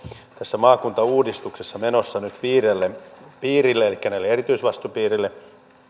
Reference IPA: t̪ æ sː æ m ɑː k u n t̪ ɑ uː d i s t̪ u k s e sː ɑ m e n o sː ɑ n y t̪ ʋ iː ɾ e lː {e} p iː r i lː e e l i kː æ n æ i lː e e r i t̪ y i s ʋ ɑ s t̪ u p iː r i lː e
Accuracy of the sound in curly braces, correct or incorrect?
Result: correct